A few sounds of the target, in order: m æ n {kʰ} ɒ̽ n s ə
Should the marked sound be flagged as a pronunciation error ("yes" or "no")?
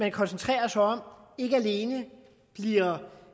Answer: no